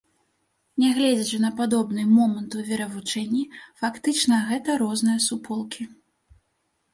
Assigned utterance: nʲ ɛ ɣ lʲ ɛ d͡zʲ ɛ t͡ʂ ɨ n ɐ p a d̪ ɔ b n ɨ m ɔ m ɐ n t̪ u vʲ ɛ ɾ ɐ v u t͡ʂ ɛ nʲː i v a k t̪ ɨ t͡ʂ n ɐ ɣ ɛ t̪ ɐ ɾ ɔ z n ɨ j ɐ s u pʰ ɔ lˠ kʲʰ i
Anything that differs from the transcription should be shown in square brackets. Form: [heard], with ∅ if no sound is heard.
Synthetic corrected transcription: nʲ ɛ ɣ lʲ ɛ d͡zʲ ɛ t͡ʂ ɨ n ɐ p a d̪ ɔ b n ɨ m ɔ m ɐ n t̪ u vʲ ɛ ɾ ɐ v u t͡ʂ ɛ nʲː i [f] a k t̪ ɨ t͡ʂ n ɐ ɣ ɛ t̪ ɐ ɾ ɔ z n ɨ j ɐ s u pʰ ɔ lˠ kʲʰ i

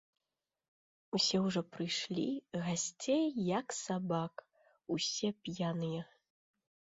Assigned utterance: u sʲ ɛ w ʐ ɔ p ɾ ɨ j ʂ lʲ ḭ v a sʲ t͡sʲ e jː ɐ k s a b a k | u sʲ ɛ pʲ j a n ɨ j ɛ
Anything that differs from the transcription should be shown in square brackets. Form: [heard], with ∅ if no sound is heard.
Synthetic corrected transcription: u sʲ ɛ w ʐ ɔ p ɾ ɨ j ʂ lʲ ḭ [ɣ] a sʲ t͡sʲ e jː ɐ k s a b a k | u sʲ ɛ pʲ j a n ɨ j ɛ

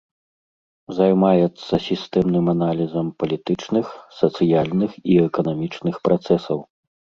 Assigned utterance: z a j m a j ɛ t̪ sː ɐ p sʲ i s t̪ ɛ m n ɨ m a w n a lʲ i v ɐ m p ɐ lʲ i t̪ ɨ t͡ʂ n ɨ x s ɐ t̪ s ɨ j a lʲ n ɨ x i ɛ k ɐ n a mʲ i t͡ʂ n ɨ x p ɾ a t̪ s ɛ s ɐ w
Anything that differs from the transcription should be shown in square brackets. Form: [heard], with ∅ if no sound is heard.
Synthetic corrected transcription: z a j m a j ɛ t̪ sː ɐ [∅] sʲ i s t̪ ɛ m n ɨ m a [∅] n a lʲ i [z] ɐ m p ɐ lʲ i t̪ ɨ t͡ʂ n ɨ x s ɐ t̪ s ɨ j a lʲ n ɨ x i ɛ k ɐ n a mʲ i t͡ʂ n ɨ x p ɾ a t̪ s ɛ s ɐ w

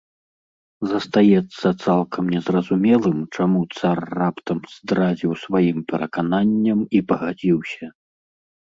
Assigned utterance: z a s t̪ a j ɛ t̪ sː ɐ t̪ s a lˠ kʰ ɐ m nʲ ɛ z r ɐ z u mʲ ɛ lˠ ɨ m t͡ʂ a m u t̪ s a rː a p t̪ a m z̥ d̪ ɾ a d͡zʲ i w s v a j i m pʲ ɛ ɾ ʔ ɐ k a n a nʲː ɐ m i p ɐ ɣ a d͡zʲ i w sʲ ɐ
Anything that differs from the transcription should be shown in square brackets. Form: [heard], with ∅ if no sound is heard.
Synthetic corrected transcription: z [ɐ] s t̪ a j ɛ t̪ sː ɐ t̪ s a lˠ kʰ ɐ m nʲ ɛ z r ɐ z u mʲ ɛ lˠ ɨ m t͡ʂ a m u t̪ s a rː a p t̪ [ɐ] m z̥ d̪ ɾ a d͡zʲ i w s v a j i m pʲ ɛ ɾ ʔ ɐ k a n a nʲː ɐ m i p ɐ ɣ a d͡zʲ i w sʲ ɐ

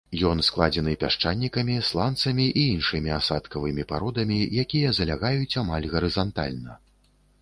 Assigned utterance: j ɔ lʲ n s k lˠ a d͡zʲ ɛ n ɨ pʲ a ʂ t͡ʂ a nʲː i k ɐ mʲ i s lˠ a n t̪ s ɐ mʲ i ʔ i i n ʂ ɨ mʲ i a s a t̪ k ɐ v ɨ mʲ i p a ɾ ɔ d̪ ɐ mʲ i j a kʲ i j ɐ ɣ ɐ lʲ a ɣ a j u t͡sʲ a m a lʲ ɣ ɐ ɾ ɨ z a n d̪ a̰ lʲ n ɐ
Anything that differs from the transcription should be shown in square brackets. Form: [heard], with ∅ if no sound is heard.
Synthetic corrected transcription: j ɔ [∅] n s k lˠ a d͡zʲ ɛ n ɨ pʲ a ʂ t͡ʂ a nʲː i k ɐ mʲ i s lˠ a n t̪ s ɐ mʲ i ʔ i i n ʂ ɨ mʲ i a s a t̪ k ɐ v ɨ mʲ i p a ɾ ɔ d̪ ɐ mʲ i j a kʲ i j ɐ [z] ɐ lʲ a ɣ a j u t͡sʲ a m a lʲ ɣ ɐ ɾ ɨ z a n [t̪] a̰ lʲ n ɐ

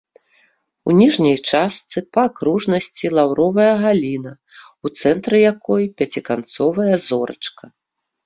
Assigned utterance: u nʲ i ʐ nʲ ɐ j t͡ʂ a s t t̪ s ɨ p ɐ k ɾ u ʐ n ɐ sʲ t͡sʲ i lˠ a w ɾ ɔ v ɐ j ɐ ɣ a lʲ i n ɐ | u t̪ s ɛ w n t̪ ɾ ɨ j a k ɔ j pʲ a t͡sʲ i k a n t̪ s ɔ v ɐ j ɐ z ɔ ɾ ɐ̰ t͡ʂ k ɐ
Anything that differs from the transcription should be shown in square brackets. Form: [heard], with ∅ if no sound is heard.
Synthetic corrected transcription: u nʲ i ʐ nʲ ɐ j t͡ʂ a s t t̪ s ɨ p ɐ k ɾ u ʐ n ɐ sʲ t͡sʲ i lˠ a w ɾ ɔ v ɐ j ɐ ɣ a lʲ i n ɐ | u t̪ s ɛ [∅] n t̪ ɾ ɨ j a k ɔ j pʲ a t͡sʲ i k a n t̪ s ɔ v ɐ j ɐ z ɔ ɾ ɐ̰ t͡ʂ k ɐ

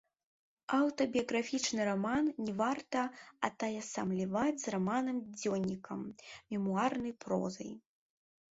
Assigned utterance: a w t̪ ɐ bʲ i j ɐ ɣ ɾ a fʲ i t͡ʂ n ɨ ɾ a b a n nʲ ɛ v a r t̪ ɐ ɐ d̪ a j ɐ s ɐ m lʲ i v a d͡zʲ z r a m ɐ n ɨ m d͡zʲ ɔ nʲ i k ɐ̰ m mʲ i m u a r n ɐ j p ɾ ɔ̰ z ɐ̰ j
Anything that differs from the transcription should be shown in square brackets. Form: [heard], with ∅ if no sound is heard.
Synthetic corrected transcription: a w t̪ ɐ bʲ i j ɐ ɣ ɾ a fʲ i t͡ʂ n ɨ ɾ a [m] a n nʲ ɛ v a r t̪ ɐ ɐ [t̪] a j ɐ s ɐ m lʲ i v a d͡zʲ z r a m [a] n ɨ m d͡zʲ ɔ nʲ i k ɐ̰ m mʲ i m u a r n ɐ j p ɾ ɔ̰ z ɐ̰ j

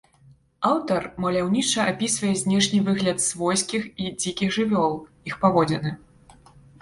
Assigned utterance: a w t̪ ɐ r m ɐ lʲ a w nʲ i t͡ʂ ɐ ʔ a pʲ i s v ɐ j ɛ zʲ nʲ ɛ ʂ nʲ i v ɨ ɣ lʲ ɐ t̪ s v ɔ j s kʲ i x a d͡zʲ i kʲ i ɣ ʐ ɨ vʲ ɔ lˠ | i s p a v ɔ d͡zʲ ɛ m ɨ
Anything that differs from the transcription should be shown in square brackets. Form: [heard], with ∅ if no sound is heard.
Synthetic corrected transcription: a w t̪ ɐ r m ɐ lʲ a w nʲ i t͡ʂ ɐ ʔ a pʲ i s v ɐ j ɛ zʲ nʲ ɛ ʂ nʲ i v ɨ ɣ lʲ ɐ t̪ s v ɔ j s kʲ i x [i] d͡zʲ i kʲ i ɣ ʐ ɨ vʲ ɔ lˠ | i [x] p a v ɔ d͡zʲ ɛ [n] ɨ

